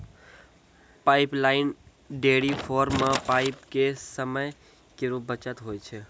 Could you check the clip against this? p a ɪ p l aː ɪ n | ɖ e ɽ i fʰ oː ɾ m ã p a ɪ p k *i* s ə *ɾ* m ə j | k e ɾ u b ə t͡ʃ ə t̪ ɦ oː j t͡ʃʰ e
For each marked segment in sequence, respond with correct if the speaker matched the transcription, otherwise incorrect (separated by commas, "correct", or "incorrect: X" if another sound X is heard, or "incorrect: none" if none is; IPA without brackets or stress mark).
incorrect: e, incorrect: none